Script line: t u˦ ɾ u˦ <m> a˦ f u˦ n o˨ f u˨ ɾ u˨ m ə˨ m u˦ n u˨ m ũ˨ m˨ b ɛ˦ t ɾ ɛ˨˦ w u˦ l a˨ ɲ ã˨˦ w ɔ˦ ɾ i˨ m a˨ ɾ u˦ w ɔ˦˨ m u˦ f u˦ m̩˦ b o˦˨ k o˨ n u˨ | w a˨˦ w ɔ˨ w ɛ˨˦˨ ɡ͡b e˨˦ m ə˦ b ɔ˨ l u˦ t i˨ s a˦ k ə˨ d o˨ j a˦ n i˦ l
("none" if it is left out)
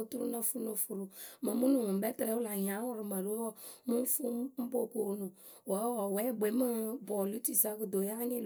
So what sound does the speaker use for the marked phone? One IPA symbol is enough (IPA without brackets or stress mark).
n